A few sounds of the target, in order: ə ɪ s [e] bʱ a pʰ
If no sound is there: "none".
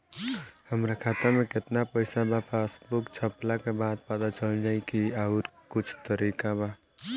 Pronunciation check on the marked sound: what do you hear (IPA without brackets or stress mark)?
a